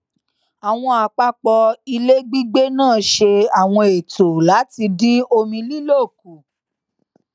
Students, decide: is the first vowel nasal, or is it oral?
oral